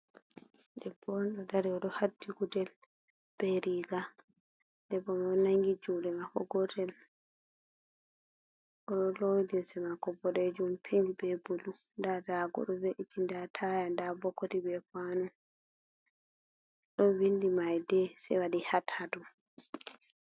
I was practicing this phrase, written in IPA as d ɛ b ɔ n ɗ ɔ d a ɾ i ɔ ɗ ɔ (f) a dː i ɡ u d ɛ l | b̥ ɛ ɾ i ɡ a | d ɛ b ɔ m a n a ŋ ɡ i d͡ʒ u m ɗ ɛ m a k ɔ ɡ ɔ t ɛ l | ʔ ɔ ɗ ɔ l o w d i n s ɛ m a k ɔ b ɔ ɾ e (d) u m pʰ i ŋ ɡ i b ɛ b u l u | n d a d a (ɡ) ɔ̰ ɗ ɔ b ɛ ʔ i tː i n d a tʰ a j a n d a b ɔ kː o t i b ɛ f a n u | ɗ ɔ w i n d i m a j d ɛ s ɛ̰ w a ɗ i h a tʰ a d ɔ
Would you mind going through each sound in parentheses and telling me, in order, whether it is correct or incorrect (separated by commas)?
incorrect, incorrect, correct